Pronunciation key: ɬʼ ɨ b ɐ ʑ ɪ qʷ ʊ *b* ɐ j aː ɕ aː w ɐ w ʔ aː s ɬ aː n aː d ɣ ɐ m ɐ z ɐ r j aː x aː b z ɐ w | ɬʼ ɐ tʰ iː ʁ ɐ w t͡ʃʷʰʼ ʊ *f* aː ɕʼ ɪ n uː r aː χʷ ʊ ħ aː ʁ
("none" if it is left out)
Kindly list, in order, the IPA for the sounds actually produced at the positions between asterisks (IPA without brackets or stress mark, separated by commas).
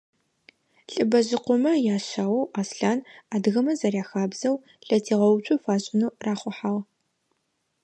m, f